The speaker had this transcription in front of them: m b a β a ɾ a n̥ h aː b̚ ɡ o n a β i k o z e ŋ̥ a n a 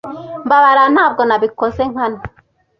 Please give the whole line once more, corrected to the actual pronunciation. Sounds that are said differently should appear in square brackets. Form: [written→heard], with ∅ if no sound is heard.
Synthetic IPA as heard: m b a β a ɾ a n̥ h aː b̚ ɡ o n a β i k o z e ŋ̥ a n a